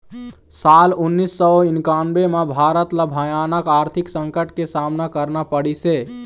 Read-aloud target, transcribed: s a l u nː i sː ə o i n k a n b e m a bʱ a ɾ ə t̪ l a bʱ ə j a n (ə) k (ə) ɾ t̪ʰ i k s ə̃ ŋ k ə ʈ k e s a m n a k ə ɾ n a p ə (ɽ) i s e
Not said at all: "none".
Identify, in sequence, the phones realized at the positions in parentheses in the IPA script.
ə, a, ɽ

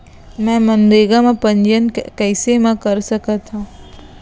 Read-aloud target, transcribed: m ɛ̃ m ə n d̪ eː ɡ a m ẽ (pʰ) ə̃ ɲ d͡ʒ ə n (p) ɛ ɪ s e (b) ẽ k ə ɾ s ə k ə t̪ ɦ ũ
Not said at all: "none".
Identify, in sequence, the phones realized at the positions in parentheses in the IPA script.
p, k, m

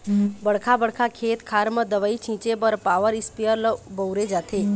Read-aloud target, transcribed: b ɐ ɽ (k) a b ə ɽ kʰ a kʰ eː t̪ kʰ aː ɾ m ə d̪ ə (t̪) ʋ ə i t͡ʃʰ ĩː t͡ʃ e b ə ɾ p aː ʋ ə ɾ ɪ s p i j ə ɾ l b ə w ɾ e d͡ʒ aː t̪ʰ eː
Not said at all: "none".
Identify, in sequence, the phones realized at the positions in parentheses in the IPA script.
kʰ, none

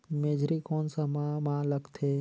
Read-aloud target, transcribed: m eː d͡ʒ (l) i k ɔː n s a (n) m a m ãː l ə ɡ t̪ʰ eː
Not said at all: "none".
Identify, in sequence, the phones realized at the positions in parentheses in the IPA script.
ɾ, none

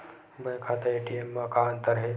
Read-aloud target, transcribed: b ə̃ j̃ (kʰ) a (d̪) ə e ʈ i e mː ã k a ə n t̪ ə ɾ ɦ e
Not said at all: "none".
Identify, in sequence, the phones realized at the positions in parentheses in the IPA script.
kʰ, t̪

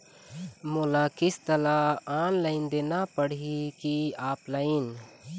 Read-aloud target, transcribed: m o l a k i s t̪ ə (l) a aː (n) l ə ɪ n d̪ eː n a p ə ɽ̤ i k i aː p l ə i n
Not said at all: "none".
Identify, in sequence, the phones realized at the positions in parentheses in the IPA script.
l, n

